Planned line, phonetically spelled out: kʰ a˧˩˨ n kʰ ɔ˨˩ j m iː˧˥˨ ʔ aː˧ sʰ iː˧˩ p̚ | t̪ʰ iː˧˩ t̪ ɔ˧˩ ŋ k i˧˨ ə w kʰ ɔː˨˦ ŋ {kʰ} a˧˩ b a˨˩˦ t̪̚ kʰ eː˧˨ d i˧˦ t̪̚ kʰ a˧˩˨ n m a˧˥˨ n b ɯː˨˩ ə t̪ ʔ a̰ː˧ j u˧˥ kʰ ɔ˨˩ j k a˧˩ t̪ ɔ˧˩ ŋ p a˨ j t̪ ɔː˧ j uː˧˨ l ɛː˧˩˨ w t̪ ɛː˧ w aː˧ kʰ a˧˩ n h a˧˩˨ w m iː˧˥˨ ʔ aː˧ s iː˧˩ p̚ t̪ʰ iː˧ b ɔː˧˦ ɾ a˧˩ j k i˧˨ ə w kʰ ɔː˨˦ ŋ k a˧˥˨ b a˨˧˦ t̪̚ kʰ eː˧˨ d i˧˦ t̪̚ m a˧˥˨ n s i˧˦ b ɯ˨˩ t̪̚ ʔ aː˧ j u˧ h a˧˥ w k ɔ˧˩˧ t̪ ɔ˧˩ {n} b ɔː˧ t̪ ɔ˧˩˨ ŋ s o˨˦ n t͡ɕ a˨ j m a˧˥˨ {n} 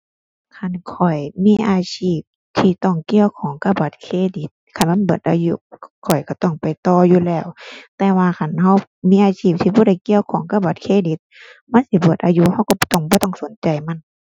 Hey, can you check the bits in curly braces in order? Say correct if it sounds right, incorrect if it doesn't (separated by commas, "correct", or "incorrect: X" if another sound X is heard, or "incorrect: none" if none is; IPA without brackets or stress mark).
incorrect: k, incorrect: ŋ, correct